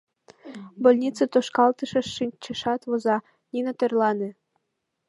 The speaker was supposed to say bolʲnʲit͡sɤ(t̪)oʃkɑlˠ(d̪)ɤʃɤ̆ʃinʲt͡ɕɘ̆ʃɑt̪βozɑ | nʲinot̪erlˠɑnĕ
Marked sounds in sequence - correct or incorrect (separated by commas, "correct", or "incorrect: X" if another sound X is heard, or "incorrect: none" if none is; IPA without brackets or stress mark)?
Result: correct, incorrect: t̪